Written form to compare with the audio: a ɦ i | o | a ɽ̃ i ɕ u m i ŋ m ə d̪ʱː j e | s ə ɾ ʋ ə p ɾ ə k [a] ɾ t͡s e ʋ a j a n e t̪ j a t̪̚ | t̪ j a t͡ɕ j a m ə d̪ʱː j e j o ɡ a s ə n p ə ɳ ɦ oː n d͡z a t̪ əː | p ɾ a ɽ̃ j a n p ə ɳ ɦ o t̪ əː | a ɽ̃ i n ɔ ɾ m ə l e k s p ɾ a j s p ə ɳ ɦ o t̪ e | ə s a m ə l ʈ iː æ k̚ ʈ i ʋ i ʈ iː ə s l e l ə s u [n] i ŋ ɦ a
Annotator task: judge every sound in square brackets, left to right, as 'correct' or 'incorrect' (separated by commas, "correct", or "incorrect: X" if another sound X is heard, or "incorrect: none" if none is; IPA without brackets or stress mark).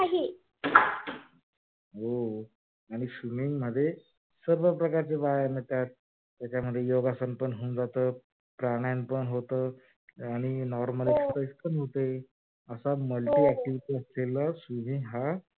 correct, incorrect: m